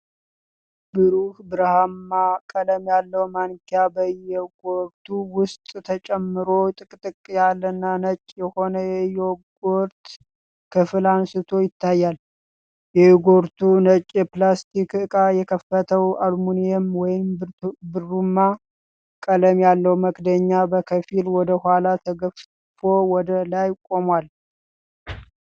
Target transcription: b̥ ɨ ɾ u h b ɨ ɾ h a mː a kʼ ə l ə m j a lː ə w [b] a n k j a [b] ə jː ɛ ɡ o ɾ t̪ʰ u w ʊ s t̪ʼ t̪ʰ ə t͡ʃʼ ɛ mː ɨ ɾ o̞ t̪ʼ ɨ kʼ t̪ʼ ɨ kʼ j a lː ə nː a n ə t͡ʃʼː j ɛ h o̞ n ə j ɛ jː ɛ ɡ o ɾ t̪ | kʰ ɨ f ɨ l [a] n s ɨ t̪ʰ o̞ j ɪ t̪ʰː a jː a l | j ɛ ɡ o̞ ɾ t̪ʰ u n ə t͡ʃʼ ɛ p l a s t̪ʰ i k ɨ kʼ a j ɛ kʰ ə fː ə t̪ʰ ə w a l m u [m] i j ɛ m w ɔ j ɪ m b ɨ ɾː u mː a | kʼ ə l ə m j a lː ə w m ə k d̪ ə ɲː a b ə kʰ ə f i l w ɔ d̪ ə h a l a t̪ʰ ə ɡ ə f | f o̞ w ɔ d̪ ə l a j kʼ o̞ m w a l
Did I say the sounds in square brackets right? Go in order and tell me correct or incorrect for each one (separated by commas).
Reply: incorrect, correct, correct, incorrect